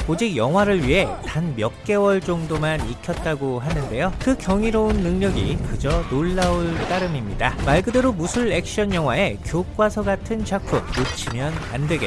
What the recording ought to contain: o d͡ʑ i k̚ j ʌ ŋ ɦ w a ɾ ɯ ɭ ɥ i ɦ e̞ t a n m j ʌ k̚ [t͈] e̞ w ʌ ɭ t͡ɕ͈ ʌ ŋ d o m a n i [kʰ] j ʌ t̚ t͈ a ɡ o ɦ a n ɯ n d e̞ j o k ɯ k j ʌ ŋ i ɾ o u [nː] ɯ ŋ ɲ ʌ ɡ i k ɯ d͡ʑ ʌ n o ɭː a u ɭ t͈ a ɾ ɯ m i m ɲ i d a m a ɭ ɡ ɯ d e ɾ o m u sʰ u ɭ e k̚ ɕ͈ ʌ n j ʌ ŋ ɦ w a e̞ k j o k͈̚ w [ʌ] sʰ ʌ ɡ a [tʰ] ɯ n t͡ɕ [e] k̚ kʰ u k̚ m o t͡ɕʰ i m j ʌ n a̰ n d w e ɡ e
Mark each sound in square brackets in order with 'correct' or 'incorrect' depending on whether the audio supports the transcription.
incorrect, correct, correct, incorrect, correct, incorrect

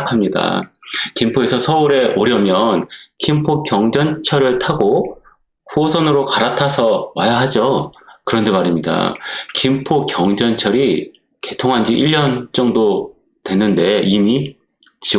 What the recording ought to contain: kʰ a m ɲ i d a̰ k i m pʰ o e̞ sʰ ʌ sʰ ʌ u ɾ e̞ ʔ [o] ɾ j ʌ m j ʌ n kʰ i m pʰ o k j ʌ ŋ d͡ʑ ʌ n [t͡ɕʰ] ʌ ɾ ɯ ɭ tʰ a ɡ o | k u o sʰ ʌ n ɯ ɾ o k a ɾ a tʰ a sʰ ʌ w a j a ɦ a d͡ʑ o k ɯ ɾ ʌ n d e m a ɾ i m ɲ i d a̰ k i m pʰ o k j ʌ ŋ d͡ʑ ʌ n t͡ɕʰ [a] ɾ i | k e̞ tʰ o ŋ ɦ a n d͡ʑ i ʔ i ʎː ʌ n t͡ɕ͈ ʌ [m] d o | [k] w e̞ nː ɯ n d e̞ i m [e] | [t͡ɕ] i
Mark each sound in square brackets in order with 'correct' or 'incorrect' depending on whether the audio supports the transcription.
correct, correct, incorrect, incorrect, incorrect, incorrect, correct

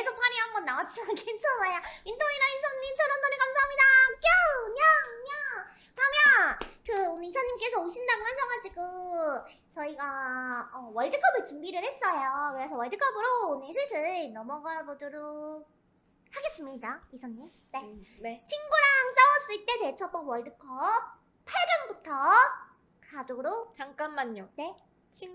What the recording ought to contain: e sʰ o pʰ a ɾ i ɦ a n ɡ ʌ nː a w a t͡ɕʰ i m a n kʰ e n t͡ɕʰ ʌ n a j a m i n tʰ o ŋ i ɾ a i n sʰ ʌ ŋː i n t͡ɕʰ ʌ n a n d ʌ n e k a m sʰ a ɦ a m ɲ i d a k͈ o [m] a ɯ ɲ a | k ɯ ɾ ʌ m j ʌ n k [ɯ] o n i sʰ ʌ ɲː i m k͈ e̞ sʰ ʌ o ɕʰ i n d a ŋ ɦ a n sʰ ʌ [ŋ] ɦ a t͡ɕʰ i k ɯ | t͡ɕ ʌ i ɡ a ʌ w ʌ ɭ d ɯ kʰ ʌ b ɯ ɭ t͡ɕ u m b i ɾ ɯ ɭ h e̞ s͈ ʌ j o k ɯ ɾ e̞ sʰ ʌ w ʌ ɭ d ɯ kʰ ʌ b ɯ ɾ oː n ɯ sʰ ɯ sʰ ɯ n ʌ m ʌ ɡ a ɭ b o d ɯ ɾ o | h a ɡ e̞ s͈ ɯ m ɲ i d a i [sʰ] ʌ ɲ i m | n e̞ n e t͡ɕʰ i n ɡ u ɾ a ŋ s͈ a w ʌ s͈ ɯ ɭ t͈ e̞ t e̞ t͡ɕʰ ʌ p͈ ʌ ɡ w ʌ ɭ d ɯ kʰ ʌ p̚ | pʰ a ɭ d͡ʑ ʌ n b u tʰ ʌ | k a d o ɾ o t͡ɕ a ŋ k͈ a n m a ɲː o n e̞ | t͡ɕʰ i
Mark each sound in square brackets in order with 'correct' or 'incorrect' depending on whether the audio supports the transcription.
incorrect, correct, correct, correct

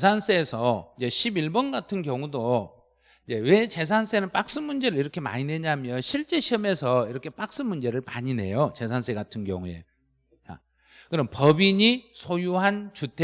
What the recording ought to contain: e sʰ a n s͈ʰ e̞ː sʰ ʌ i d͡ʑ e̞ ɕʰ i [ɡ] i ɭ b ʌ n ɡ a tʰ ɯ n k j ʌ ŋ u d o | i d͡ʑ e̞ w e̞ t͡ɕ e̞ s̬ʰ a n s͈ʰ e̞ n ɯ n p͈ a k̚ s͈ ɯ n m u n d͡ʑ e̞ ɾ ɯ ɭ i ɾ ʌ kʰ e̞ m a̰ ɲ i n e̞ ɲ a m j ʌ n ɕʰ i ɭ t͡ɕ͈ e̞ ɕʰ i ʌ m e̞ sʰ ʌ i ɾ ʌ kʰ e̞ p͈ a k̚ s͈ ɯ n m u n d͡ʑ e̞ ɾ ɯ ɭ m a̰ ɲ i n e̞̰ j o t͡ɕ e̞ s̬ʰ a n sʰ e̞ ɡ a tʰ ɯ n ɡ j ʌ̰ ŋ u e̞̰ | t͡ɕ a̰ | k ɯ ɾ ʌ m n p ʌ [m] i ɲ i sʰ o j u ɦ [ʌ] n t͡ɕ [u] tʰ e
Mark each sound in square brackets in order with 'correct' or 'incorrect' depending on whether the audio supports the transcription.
incorrect, incorrect, incorrect, correct

